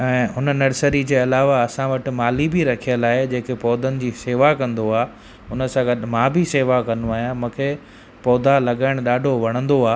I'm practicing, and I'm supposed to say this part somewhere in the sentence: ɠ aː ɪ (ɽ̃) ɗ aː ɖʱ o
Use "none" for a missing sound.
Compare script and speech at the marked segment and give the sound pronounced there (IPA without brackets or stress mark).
ɽ̃